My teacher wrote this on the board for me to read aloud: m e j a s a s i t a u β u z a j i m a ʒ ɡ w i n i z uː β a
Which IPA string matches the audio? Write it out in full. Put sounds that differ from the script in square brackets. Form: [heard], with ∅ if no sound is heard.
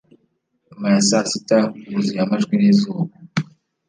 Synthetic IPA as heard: m [a] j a s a s i t a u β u z [i] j [a] m a ʒ ɡ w i n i z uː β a